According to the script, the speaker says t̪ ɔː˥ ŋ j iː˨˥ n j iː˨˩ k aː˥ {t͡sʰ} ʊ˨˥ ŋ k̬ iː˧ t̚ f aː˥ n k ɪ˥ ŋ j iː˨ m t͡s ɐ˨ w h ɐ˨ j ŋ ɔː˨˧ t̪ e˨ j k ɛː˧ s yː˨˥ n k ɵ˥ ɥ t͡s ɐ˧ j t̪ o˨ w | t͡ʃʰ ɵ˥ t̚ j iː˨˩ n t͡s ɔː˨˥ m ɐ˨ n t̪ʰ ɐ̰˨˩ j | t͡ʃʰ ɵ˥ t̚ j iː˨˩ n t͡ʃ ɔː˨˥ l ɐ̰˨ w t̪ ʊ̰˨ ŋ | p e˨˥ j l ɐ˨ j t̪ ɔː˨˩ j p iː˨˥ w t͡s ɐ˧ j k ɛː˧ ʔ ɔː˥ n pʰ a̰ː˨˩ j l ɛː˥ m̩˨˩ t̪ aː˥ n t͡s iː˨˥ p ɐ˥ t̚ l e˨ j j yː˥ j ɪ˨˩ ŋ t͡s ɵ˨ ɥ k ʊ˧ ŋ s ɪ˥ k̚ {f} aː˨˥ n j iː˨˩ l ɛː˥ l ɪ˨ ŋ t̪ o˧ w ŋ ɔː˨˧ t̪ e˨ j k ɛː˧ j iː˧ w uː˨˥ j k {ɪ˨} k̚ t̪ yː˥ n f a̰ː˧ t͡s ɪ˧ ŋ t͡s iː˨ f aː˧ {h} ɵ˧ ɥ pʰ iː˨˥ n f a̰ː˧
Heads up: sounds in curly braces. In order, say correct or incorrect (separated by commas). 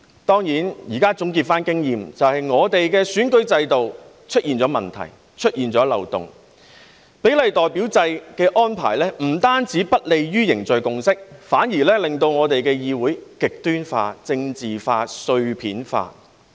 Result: incorrect, correct, correct, incorrect